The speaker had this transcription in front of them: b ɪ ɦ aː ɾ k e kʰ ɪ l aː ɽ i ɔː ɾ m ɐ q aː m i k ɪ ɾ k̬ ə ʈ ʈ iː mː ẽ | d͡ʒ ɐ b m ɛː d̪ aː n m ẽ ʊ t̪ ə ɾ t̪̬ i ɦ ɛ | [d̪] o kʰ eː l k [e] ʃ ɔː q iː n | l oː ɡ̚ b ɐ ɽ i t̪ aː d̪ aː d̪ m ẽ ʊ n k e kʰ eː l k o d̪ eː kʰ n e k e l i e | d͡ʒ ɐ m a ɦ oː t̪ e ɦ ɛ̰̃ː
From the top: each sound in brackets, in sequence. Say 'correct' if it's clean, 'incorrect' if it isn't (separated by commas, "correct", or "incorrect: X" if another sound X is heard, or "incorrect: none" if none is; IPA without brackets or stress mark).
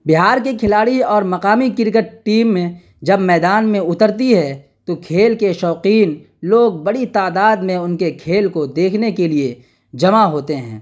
incorrect: t̪, correct